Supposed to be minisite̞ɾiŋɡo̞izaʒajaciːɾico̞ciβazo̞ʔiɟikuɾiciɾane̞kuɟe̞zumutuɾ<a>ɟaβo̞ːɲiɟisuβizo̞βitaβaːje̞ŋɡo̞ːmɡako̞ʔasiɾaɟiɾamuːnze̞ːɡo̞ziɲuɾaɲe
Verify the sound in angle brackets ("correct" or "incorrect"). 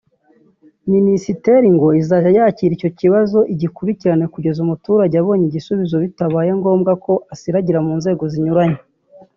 correct